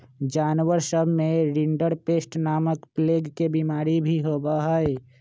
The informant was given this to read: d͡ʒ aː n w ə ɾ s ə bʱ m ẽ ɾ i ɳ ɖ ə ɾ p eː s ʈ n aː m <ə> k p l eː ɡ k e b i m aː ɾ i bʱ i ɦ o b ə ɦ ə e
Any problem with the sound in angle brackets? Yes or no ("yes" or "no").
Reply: no